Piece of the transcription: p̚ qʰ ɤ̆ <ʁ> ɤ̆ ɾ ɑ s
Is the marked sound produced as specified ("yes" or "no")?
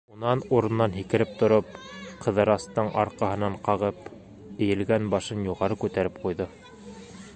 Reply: no